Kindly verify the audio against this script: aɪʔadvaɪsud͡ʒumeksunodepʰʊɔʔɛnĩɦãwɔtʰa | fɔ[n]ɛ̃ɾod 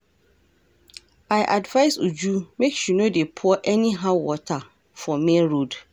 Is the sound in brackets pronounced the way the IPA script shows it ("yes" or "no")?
no